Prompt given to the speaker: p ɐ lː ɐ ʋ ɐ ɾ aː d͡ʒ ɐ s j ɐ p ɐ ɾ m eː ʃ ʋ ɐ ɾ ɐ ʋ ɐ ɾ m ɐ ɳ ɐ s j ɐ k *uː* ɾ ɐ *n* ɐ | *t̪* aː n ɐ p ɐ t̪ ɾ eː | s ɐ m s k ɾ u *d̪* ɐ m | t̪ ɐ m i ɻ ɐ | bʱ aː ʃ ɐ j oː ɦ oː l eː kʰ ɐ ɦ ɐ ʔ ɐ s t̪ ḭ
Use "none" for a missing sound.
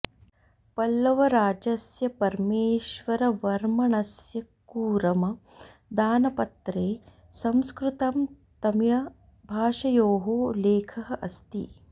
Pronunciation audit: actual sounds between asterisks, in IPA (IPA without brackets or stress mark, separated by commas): uː, m, d̪, t̪